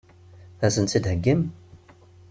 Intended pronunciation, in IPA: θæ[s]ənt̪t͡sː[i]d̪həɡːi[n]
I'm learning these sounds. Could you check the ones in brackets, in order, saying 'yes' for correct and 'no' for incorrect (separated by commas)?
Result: yes, yes, no